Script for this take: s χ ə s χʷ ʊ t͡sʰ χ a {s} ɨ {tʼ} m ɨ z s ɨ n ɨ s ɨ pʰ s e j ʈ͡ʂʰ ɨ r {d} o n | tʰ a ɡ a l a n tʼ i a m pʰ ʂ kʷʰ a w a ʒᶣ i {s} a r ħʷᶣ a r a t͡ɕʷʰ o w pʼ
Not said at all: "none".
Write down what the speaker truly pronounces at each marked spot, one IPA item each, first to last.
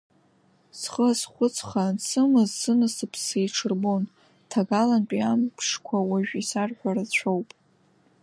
s, none, b, s

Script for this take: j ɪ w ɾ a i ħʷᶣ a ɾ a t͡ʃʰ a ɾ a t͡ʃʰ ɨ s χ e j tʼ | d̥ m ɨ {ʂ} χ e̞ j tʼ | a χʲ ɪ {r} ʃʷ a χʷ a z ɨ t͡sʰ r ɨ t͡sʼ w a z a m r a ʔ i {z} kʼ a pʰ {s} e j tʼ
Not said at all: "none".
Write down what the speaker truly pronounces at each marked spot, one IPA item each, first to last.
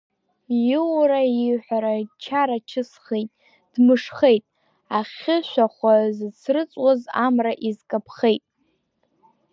ʂ, none, z, χ

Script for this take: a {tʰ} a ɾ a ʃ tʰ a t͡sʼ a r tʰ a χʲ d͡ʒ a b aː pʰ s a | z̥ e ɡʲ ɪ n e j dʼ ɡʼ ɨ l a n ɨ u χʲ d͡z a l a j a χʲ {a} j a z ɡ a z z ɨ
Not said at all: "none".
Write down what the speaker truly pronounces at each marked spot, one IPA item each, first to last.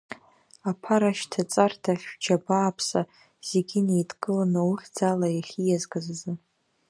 pʰ, i

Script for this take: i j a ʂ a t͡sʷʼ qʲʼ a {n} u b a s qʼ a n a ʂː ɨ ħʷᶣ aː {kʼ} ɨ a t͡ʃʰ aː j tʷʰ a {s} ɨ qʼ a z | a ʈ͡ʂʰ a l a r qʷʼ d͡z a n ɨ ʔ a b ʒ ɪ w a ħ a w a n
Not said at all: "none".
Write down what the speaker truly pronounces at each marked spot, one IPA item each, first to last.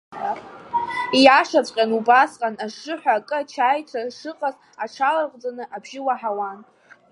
n, kʼ, ʂ

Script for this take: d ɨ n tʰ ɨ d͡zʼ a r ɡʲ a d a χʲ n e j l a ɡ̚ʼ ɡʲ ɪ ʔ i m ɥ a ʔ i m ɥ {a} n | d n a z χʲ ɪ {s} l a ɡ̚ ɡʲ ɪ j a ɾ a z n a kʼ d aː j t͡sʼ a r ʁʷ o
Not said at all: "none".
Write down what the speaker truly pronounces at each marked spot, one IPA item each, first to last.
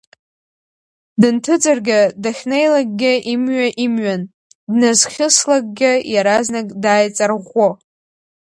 a, s

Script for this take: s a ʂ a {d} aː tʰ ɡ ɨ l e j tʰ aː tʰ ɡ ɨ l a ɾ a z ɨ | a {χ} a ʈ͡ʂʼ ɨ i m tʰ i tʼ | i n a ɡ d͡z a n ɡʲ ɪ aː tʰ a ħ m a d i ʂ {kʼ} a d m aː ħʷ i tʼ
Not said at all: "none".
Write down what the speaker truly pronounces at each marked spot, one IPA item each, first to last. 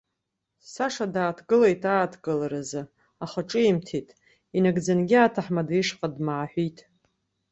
d, χ, qʼ

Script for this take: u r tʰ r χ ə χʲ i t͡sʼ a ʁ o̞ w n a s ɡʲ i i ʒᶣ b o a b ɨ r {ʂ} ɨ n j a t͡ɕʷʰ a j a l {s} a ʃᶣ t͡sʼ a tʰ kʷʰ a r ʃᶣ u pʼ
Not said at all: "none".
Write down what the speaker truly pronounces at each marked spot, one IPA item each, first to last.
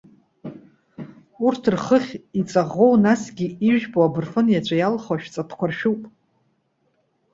f, χ

